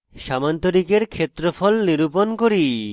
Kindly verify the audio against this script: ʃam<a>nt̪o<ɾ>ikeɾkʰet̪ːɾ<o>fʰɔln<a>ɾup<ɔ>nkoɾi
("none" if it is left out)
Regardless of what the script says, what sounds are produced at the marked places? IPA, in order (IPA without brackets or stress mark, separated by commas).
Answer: a, ɾ, o, i, o